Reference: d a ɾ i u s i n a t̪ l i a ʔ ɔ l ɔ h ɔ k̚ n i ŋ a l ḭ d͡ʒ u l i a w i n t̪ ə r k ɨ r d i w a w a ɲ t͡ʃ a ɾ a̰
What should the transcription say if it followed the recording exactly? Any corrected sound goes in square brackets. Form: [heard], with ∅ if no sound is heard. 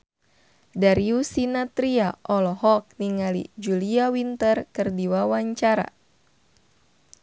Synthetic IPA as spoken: d a ɾ i u s i n a t̪ [ɾ] i a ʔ ɔ l ɔ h ɔ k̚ n i ŋ a l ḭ d͡ʒ u l i a w i n t̪ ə r k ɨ r d i w a w a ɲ t͡ʃ a ɾ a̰